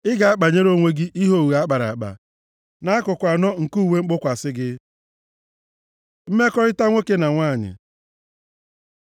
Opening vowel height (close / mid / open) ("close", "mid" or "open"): close